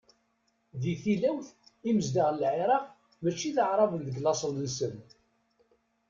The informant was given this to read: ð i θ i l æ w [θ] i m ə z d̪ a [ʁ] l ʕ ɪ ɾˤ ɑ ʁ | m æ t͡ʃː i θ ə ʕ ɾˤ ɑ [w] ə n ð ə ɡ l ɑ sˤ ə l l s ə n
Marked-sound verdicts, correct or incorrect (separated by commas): correct, correct, incorrect